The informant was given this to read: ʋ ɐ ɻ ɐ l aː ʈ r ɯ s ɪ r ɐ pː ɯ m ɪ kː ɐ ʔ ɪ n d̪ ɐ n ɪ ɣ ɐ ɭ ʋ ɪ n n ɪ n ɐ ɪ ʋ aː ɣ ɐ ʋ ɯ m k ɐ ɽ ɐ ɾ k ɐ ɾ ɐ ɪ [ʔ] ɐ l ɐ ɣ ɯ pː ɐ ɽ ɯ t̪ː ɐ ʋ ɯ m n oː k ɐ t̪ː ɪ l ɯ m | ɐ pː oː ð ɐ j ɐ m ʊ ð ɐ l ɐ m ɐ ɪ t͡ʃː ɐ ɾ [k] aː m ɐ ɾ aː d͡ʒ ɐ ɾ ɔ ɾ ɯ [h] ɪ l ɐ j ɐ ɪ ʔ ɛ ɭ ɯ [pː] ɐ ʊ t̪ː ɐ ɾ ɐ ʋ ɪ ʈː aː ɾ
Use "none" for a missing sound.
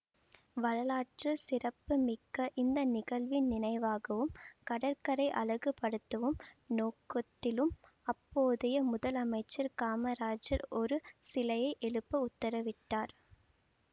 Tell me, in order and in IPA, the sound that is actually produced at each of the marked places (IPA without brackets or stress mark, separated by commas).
ʔ, k, s, pː